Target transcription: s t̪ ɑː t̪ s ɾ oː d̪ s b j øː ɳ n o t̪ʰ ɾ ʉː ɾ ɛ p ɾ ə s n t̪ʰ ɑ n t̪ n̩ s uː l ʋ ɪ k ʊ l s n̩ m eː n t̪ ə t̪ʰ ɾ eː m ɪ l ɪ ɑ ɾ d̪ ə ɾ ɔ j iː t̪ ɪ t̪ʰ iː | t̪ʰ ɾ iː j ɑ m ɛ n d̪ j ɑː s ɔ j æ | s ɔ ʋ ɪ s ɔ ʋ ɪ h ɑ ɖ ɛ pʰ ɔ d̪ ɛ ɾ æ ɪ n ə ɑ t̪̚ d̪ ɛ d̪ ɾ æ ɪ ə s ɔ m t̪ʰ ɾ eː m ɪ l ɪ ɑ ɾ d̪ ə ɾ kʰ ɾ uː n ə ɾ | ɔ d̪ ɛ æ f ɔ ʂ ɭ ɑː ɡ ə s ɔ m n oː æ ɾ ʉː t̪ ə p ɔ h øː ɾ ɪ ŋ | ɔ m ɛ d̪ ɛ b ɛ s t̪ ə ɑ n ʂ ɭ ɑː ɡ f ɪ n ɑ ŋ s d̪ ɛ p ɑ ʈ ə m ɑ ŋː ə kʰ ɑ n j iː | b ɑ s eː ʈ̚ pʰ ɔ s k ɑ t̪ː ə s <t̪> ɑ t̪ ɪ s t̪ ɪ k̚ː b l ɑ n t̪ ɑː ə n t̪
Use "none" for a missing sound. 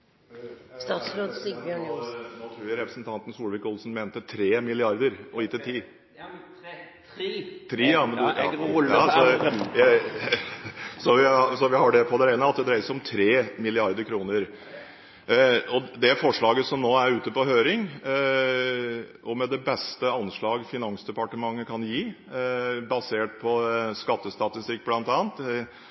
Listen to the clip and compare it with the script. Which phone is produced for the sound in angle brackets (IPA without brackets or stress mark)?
t̪